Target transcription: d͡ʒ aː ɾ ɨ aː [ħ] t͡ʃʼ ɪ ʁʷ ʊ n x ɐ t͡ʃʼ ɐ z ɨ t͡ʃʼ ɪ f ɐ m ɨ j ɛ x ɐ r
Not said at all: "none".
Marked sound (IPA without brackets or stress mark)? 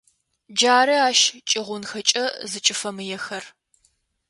ʃ